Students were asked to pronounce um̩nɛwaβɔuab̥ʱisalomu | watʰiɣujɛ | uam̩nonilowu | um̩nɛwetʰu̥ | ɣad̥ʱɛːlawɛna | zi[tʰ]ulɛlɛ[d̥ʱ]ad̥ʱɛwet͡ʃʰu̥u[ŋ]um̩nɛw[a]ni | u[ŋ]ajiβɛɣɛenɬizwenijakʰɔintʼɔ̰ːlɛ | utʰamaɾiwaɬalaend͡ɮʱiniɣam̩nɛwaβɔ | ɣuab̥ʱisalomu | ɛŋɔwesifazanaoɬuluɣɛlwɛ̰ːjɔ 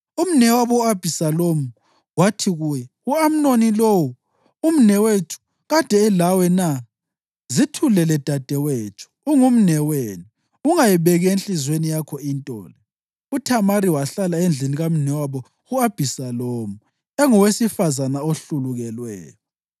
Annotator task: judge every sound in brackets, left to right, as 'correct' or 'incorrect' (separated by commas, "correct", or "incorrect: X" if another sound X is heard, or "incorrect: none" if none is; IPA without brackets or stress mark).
correct, correct, correct, incorrect: e, correct